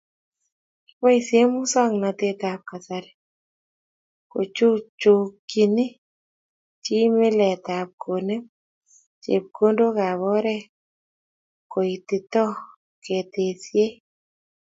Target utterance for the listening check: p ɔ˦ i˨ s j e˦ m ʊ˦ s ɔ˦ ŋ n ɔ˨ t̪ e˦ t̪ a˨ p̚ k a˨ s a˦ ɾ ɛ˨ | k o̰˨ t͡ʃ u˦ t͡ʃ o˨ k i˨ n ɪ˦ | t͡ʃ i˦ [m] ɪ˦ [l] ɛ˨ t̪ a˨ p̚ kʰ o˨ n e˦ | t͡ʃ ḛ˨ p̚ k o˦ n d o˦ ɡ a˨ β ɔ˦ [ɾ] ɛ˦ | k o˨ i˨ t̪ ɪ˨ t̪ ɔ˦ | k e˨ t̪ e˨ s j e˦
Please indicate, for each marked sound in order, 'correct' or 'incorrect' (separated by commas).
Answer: correct, correct, correct